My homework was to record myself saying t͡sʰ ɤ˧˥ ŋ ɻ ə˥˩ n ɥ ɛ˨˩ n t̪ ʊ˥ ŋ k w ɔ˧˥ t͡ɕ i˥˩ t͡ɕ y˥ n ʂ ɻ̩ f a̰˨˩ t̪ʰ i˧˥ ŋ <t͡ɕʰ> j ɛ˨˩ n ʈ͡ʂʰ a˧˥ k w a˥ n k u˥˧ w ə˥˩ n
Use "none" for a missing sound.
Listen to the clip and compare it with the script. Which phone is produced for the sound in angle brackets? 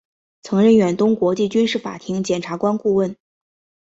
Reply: t͡ɕ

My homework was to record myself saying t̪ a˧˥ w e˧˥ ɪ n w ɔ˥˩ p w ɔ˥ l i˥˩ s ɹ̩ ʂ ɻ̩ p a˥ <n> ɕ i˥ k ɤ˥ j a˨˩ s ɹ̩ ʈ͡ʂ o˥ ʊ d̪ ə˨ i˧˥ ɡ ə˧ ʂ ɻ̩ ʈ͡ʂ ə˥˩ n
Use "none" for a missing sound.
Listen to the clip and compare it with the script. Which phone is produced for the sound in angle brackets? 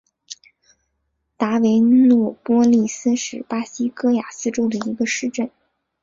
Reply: none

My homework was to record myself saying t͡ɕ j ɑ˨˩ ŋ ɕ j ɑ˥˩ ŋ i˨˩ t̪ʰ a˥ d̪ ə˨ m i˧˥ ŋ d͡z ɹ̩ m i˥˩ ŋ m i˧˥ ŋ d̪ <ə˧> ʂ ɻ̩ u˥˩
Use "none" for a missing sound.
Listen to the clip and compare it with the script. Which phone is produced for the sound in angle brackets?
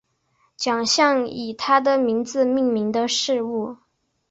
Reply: ə˧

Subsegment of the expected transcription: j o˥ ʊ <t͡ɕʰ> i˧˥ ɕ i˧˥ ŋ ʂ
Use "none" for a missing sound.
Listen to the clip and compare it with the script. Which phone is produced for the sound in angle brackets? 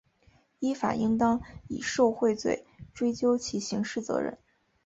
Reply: t͡ɕʰ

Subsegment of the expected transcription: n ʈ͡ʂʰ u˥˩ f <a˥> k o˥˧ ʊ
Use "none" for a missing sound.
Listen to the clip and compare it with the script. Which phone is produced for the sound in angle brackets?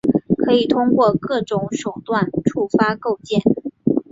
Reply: a˥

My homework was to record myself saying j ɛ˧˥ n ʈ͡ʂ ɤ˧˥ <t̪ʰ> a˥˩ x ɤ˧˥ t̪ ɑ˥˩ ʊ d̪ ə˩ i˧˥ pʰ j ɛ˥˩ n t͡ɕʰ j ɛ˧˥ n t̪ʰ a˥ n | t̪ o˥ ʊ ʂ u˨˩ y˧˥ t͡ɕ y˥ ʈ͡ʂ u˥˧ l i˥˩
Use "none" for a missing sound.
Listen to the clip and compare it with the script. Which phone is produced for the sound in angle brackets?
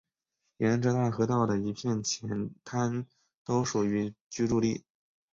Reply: t̪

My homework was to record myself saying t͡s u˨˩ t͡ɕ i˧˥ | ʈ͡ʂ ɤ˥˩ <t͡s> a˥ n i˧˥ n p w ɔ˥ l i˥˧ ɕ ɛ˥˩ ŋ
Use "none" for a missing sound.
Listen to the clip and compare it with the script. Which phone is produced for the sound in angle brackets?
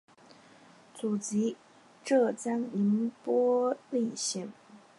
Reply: t͡s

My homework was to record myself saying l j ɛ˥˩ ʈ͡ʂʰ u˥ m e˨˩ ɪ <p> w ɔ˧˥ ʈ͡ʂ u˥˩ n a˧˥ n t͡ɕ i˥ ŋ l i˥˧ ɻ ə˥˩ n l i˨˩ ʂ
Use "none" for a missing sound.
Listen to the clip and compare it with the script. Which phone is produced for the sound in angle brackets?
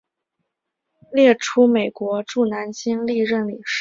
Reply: k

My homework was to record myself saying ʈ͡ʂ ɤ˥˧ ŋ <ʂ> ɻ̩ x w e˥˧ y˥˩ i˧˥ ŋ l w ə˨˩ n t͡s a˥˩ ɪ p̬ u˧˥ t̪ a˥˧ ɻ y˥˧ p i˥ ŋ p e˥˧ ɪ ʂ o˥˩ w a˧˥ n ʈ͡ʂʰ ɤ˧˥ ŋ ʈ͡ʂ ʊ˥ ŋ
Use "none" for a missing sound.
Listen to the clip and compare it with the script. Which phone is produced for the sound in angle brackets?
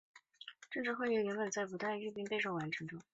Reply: ʈ͡ʂ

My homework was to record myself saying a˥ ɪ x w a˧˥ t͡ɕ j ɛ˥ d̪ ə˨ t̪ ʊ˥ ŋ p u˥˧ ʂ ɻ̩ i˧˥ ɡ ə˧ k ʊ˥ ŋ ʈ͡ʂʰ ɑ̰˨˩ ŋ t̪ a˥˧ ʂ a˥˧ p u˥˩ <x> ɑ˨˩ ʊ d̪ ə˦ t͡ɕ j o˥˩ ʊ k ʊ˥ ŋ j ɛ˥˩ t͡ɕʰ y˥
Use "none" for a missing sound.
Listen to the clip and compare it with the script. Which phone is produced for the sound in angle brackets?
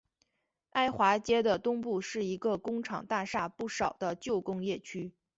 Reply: ʂ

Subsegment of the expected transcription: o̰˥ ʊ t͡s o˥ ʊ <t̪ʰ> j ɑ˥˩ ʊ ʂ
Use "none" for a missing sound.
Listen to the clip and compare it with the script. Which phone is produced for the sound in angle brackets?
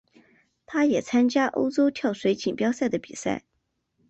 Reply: t̪ʰ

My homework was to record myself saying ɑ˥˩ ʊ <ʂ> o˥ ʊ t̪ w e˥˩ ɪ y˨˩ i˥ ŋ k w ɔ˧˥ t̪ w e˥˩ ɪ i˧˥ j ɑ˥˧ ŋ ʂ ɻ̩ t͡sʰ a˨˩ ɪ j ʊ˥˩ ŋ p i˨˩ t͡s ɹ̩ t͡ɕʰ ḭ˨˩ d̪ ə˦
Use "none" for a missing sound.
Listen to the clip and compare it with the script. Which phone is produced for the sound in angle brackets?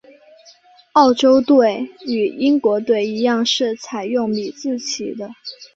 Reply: ʈ͡ʂ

